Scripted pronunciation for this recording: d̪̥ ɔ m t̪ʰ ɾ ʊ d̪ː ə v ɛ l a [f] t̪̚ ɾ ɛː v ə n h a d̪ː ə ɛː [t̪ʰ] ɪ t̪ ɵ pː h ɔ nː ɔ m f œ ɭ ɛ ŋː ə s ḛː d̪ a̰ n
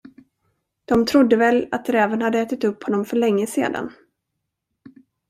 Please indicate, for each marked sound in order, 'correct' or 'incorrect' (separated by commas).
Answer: incorrect, incorrect